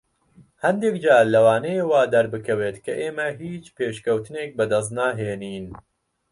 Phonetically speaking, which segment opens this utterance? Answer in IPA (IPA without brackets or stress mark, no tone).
h